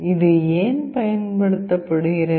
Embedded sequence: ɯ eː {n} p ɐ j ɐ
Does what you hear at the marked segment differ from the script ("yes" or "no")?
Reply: no